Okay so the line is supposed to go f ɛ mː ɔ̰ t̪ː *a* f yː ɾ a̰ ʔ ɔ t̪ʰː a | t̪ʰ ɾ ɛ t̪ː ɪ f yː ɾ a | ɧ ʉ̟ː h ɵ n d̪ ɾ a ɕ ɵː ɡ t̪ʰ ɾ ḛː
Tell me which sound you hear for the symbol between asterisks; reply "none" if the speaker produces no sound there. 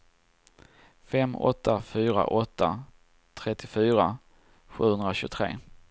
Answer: a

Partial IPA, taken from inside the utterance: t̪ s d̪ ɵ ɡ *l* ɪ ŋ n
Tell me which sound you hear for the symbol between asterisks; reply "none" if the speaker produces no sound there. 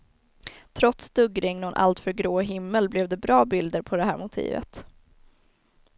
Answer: ɾ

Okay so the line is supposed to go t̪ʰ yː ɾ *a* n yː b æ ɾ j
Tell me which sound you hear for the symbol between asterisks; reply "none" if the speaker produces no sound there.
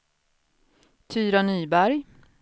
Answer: a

